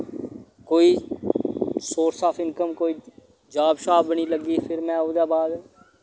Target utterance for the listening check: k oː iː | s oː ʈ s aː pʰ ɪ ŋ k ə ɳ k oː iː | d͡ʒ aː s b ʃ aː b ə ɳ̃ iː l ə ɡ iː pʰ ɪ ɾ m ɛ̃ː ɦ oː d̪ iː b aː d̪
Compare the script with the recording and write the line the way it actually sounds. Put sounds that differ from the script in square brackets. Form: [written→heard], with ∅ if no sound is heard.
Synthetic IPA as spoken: k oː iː | s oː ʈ s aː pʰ ɪ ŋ k ə [ɳ→m] k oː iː | d͡ʒ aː [s→∅] b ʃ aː b ə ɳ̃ iː l ə ɡ iː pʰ ɪ ɾ m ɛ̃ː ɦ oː d̪ [iː→aː] b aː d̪

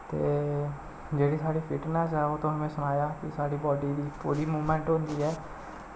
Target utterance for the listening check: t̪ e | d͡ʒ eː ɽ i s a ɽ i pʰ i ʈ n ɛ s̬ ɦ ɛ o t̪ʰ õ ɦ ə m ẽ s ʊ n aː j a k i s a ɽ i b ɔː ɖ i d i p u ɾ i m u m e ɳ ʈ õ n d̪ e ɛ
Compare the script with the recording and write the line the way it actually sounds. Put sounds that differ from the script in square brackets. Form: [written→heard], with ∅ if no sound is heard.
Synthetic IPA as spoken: t̪ e | d͡ʒ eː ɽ i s a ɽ i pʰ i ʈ n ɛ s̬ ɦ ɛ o [t̪ʰ→t̪] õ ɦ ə m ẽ s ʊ n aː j a k i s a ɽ i b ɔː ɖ i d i p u ɾ i m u m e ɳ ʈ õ n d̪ [e→i] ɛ

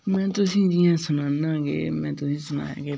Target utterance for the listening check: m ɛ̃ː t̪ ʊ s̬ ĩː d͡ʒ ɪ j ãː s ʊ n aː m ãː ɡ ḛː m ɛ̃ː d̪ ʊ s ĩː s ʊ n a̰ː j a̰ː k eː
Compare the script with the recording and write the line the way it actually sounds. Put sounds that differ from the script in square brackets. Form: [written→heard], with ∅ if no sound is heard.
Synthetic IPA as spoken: m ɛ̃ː t̪ ʊ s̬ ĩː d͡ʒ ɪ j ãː s ʊ n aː [m→n] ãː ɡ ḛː m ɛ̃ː [d̪→t̪] ʊ s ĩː s ʊ n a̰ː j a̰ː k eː

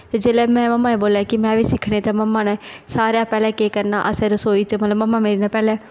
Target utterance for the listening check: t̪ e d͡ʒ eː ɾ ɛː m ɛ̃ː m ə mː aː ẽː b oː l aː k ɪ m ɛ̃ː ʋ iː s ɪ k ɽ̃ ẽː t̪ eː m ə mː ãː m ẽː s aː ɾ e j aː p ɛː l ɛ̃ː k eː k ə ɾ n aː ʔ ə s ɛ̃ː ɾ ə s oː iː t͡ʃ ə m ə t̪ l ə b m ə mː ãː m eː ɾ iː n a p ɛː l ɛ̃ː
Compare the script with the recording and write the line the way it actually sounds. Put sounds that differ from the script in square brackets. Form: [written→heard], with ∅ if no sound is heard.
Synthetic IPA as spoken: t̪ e d͡ʒ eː [ɾ→l] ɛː m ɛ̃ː m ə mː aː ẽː b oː l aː k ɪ m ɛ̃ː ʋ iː s ɪ [k→kʰ] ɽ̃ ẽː t̪ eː m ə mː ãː [m→n] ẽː s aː ɾ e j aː p ɛː l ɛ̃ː k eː k ə ɾ n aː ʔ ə s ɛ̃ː ɾ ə s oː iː t͡ʃ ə m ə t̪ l ə b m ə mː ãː m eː ɾ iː n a p ɛː l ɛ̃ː

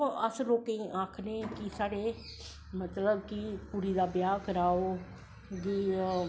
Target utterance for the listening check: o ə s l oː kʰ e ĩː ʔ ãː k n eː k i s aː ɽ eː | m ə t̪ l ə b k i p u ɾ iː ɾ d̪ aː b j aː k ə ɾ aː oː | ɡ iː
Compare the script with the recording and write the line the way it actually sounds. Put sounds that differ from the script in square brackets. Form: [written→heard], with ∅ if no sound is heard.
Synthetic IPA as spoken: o ə s l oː [kʰ→k] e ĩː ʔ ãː [k→kʰ] n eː k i s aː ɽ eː | m ə t̪ l ə b k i p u ɾ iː [ɾ→∅] d̪ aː b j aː k ə ɾ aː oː | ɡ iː

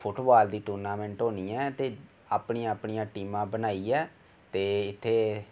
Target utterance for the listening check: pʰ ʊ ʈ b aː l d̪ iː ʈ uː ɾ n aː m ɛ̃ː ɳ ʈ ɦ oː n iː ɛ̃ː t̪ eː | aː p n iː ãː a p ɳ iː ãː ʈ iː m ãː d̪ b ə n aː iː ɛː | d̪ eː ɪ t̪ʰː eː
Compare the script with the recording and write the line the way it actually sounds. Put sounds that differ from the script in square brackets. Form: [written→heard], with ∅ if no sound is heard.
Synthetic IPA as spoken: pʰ ʊ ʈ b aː l d̪ iː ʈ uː ɾ n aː m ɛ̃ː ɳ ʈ ɦ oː n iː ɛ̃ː t̪ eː | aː p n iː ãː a p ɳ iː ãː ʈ iː m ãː [d̪→∅] b ə n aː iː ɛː | [d̪→t̪] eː ɪ t̪ʰː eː

